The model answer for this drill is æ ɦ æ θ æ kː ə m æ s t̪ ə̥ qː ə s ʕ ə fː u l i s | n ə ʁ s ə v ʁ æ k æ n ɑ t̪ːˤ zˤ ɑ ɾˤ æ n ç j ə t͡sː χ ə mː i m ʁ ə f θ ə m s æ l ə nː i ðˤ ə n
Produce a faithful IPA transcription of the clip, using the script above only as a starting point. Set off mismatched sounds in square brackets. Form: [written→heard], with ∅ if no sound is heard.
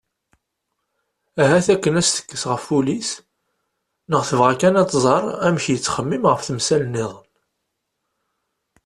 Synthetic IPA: æ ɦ æ θ æ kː ə [m→n] æ s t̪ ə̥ [qː→kː] ə s [ʕ→ʁ] ə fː u l i s | n ə ʁ [s→θ] ə v ʁ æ k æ n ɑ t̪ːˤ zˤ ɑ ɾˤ æ [n→m] ç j ə t͡sː χ ə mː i m ʁ ə f θ ə m s æ l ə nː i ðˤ ə n